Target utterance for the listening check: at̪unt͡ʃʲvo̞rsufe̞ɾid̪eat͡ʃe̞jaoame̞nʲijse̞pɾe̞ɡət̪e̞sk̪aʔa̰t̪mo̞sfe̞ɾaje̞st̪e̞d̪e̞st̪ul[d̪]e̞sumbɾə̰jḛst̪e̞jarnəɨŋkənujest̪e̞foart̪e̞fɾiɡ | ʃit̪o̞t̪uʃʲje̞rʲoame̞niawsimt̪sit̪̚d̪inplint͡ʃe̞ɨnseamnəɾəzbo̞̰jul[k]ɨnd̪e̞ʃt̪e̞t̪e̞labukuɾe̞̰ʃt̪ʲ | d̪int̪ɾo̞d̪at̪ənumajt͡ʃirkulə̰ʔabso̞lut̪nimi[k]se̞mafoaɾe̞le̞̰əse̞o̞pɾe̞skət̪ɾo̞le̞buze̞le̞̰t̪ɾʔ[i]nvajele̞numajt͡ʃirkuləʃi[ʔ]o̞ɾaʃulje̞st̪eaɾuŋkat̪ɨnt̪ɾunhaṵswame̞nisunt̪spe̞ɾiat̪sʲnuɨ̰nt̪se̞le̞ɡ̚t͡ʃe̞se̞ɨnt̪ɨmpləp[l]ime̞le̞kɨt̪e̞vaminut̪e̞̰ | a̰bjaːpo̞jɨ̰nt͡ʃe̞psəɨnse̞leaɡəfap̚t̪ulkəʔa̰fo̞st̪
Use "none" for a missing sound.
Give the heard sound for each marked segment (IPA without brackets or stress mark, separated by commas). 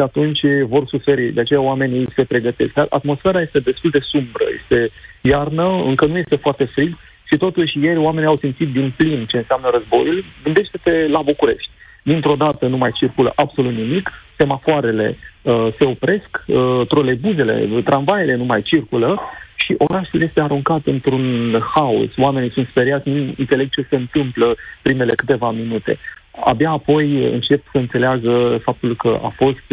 d̪, ɡ, k, a, ʔ, ɾ